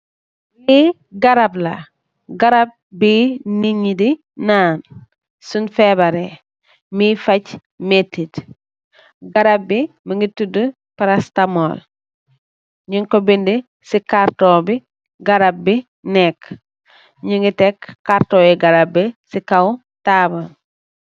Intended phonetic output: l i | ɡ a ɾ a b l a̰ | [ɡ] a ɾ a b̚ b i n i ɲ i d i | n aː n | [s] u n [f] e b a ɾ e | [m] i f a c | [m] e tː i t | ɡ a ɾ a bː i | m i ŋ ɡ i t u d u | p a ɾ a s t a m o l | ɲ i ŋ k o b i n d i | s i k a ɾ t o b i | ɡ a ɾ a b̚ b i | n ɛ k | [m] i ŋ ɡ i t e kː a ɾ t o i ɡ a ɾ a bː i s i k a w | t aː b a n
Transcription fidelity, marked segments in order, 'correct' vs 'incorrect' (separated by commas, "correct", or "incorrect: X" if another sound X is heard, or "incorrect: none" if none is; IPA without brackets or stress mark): correct, correct, correct, correct, correct, incorrect: ɲ